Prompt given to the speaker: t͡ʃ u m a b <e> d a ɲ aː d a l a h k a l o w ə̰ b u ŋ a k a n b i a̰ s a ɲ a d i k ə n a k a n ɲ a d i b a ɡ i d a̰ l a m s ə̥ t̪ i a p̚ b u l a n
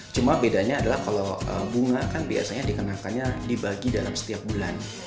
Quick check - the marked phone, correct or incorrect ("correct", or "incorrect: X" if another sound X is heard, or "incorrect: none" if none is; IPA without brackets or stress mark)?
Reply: correct